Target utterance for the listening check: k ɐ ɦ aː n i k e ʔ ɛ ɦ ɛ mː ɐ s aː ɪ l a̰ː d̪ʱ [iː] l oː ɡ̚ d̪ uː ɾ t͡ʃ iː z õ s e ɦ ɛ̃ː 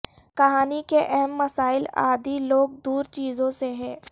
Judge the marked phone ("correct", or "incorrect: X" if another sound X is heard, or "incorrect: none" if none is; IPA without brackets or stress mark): incorrect: i